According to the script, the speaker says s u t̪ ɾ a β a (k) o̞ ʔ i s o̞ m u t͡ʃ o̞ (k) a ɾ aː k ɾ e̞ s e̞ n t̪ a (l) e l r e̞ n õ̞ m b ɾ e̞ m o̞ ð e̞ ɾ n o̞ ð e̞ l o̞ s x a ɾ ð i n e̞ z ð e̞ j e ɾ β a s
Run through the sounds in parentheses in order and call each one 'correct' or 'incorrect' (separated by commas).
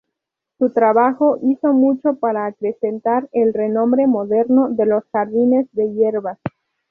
incorrect, incorrect, incorrect